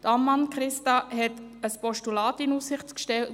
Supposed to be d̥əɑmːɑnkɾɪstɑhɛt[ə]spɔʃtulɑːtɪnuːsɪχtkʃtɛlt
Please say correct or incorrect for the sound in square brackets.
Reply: correct